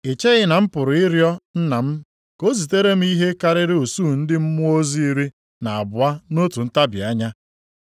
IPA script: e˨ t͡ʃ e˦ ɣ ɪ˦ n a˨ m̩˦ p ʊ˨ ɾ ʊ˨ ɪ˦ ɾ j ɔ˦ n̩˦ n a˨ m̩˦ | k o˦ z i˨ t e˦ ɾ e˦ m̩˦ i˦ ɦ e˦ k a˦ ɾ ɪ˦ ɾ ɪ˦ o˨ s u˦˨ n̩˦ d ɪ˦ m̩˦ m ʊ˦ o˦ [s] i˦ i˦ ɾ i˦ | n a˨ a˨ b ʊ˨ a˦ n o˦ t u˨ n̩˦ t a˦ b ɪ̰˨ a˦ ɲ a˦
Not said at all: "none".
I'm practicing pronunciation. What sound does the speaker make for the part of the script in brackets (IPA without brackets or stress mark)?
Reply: z